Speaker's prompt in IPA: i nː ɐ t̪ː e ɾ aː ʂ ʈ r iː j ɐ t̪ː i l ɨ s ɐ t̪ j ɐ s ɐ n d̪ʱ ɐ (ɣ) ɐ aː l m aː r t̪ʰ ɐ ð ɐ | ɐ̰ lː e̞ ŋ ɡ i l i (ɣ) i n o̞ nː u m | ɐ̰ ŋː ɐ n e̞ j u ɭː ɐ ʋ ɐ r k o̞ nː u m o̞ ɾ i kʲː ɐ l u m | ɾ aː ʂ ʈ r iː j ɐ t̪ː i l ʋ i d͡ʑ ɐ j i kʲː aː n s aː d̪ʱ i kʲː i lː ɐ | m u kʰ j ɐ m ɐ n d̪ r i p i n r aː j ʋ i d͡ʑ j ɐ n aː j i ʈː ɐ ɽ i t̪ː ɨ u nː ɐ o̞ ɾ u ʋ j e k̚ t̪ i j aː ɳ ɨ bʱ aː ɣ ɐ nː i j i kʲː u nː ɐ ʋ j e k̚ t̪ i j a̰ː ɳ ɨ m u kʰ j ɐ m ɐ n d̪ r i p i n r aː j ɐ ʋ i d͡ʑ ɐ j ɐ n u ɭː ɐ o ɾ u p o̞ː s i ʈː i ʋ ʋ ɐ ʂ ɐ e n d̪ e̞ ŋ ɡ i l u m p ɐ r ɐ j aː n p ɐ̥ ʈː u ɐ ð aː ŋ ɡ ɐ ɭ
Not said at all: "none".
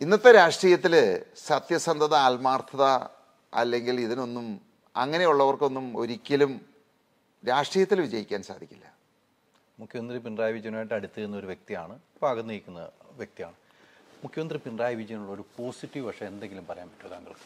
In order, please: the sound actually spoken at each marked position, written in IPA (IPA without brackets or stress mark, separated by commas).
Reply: ð, ð